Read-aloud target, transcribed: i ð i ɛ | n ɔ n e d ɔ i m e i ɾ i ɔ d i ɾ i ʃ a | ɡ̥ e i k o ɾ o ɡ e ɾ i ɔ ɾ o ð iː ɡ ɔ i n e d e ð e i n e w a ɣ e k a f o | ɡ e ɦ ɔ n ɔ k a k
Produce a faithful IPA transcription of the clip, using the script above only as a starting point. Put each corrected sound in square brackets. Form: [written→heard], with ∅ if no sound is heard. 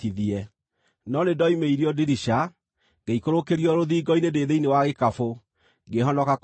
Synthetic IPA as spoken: i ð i ɛ | n ɔ n e d ɔ i m e i ɾ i ɔ d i ɾ i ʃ a | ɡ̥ e i k o ɾ o [ɡ→k] e ɾ i ɔ ɾ o ð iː ɡ ɔ i n e d e ð e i n e w a ɣ e k a f o | ɡ e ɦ ɔ n ɔ k a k

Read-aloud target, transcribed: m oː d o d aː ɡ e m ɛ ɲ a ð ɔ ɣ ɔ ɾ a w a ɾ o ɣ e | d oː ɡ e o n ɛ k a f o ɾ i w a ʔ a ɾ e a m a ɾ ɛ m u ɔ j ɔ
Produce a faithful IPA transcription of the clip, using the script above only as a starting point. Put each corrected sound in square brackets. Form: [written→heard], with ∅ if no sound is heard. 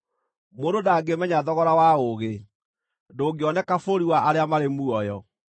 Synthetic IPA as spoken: m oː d o d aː ɡ e m ɛ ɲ a ð ɔ ɣ ɔ ɾ a w a [ɾ→∅] o ɣ e | d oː ɡ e [o→ɔ] n ɛ k a f o ɾ i w a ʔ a ɾ e a m a ɾ [ɛ→e] m u ɔ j ɔ

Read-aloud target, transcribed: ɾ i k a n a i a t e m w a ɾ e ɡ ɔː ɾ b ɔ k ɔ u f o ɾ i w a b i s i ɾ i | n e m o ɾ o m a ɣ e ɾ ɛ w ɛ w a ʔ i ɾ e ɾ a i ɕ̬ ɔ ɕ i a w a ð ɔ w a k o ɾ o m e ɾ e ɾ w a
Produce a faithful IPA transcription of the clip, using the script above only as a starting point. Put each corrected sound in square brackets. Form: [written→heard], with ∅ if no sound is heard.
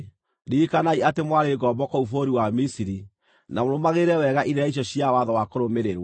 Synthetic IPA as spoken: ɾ i k a n a i a t e m w a ɾ e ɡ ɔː [ɾ→∅] b ɔ k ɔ u f o ɾ i w a [b→m] i s i ɾ i | n [e→a] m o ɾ o m a ɣ e ɾ ɛ w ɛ [w→ɣ] a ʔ i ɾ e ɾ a i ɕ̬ ɔ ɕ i a w a ð ɔ w a k o ɾ o m e ɾ e ɾ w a

